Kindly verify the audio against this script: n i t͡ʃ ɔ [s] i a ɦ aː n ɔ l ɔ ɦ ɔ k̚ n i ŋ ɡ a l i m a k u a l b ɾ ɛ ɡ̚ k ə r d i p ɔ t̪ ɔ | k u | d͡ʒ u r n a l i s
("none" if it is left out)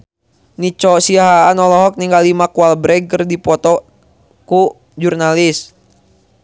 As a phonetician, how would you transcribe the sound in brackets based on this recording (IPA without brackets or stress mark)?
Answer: s